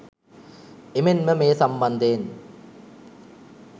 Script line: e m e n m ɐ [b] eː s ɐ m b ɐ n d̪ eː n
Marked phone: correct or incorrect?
incorrect